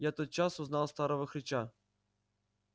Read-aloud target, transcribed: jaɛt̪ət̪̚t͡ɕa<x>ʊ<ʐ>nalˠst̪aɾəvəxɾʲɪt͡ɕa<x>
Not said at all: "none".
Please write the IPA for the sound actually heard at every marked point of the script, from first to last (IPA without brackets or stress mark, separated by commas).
s, z, none